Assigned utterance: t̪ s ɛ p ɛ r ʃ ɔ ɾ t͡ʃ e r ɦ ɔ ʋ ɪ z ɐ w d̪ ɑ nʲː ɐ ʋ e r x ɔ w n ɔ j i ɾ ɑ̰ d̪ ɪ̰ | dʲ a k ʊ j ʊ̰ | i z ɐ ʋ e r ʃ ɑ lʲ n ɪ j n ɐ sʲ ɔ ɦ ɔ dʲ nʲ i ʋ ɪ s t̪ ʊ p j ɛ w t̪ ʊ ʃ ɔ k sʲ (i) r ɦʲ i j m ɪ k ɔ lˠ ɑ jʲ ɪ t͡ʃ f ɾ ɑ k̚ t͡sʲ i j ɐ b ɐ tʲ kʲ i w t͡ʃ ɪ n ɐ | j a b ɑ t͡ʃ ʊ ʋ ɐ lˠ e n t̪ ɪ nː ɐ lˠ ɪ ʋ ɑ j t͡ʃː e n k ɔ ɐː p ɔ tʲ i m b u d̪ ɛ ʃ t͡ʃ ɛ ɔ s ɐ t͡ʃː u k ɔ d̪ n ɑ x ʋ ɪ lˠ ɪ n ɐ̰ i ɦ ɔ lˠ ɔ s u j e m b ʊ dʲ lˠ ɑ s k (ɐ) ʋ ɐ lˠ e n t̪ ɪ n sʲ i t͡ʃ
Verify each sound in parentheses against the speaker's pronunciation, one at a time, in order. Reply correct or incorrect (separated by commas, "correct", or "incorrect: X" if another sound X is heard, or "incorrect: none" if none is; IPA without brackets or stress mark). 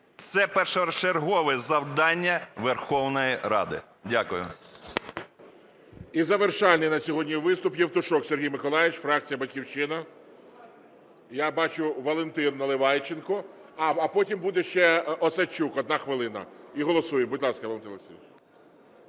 incorrect: e, correct